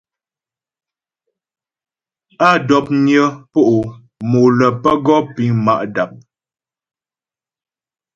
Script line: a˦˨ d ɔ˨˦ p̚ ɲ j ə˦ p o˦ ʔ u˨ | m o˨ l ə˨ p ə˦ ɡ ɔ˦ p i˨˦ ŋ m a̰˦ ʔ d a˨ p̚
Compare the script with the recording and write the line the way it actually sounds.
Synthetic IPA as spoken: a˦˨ d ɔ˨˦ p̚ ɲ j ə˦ p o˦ ʔ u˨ | m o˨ l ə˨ p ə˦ ɡ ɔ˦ p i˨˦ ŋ m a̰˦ ʔ d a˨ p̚